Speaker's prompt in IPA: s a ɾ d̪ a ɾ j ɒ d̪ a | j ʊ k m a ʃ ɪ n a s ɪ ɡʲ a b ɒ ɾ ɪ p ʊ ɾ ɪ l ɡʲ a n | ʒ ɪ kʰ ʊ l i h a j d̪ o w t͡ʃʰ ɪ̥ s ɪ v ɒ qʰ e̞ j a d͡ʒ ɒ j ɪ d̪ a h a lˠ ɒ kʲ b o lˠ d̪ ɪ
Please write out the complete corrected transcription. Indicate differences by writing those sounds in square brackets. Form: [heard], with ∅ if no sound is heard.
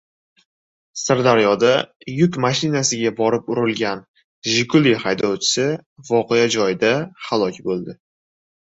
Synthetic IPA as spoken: s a ɾ d̪ a ɾ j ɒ d̪ a | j ʊ k m a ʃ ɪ n a s ɪ ɡʲ a b ɒ ɾ ɪ p ʊ ɾ ɪ l ɡʲ a n | ʒ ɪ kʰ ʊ l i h a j d̪ [ɒ] w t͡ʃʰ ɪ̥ s ɪ v ɒ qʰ e̞ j a d͡ʒ ɒ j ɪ d̪ a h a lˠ ɒ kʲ b o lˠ d̪ ɪ